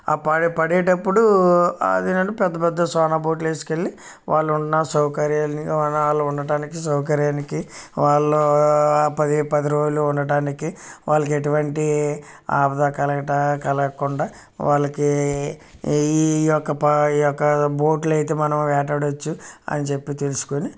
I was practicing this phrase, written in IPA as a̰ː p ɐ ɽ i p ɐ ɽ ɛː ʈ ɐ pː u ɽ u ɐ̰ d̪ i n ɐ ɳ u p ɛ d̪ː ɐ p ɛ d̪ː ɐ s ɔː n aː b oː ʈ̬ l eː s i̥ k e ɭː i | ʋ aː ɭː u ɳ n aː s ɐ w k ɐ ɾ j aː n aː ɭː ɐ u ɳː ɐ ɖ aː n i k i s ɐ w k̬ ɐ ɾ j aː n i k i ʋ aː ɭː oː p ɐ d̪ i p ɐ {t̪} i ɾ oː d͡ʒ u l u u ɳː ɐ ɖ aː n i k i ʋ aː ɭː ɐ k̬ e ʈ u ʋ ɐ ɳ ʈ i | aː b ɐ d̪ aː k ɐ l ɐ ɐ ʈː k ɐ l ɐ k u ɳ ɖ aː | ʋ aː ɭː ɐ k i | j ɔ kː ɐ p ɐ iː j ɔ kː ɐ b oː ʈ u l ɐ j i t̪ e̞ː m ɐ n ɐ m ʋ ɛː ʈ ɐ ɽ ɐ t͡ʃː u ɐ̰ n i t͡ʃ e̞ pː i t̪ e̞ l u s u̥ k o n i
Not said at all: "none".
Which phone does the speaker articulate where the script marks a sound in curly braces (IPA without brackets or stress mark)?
d̪